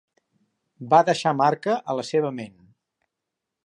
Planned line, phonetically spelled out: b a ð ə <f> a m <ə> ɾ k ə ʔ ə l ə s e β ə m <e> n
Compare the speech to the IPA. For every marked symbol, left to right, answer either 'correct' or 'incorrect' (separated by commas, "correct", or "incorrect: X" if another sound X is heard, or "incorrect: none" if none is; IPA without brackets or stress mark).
incorrect: ʃ, incorrect: a, correct